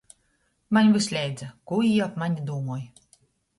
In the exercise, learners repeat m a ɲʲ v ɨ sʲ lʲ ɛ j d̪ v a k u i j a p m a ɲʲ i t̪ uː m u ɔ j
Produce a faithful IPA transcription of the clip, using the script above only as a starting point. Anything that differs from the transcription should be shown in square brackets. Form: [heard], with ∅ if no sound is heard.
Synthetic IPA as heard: m a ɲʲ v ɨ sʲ lʲ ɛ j d̪ [z] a k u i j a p m a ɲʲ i [d̪] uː m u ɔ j